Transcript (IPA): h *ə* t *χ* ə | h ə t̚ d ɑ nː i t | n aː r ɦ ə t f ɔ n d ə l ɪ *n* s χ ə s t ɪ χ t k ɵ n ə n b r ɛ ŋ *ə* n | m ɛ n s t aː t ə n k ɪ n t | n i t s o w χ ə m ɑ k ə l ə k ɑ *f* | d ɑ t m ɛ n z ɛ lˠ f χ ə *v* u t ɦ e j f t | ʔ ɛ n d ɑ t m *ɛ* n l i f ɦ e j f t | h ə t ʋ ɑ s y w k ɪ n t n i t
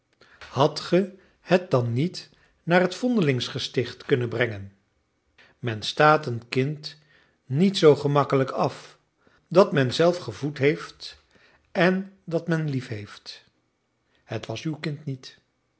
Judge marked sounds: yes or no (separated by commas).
no, yes, no, yes, yes, yes, yes